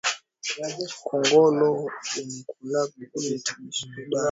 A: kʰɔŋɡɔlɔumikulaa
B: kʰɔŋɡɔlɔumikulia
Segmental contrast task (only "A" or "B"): A